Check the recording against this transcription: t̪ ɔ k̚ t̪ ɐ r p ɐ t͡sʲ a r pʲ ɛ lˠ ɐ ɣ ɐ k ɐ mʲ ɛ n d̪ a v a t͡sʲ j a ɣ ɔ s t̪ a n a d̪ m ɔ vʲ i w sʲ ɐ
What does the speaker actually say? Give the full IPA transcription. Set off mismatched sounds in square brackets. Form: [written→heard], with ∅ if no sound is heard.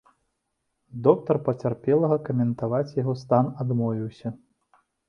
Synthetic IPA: [t̪→d̪] ɔ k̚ t̪ ɐ r p ɐ t͡sʲ a r pʲ ɛ lˠ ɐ ɣ ɐ k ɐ mʲ ɛ n [d̪→t̪] a v a t͡sʲ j a ɣ ɔ s t̪ a n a d̪ m ɔ vʲ i w sʲ ɐ